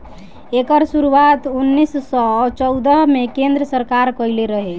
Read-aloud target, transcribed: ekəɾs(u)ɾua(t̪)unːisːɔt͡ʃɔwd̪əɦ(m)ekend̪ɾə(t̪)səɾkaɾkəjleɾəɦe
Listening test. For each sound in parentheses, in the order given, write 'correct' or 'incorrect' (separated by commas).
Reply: correct, correct, correct, incorrect